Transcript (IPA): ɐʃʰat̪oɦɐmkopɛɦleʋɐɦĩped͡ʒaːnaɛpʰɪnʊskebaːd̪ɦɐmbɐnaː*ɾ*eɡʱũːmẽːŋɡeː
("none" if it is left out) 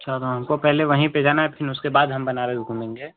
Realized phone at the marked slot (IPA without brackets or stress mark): ɾ